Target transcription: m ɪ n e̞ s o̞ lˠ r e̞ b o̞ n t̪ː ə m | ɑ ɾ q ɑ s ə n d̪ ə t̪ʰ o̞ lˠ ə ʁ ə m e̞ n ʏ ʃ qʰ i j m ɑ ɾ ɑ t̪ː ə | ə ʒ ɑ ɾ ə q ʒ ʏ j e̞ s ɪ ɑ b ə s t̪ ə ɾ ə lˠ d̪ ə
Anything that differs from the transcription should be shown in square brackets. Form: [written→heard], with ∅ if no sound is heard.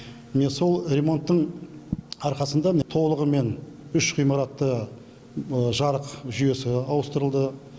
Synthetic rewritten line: m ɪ n e̞ s o̞ lˠ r e̞ [b→m] o̞ n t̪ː ə [m→ɴ] | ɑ ɾ q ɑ s ə n d̪ [ə→ɑ] t̪ʰ o̞ lˠ ə ʁ ə m e̞ n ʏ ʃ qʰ i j m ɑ ɾ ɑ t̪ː ə | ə ʒ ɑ ɾ ə q ʒ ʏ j e̞ s ɪ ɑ [b→w] ə s t̪ ə ɾ ə lˠ d̪ ə